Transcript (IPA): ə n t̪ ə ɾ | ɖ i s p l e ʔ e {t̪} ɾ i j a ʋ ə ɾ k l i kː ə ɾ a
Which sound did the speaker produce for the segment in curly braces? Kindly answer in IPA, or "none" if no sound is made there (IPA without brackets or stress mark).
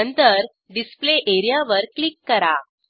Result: none